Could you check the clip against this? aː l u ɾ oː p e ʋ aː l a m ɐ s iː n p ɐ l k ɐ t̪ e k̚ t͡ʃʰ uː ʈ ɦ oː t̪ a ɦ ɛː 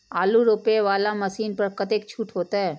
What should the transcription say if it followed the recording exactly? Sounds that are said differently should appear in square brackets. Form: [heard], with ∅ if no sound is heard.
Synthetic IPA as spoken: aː l u ɾ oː p e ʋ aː l a m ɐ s iː n p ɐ [ɾ] k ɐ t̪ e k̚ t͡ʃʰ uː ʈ ɦ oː t̪ a ɦ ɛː